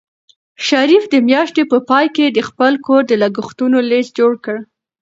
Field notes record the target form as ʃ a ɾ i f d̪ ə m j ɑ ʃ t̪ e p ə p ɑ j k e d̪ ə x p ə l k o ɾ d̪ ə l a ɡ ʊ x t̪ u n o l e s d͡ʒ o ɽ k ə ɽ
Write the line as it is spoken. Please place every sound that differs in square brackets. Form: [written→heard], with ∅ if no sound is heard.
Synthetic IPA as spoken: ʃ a ɾ i f d̪ ə m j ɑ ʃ t̪ e p ə p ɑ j k e d̪ ə x p ə l k o ɾ d̪ ə l a ɡ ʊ x t̪ u n o l e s d͡ʒ o ɽ k ə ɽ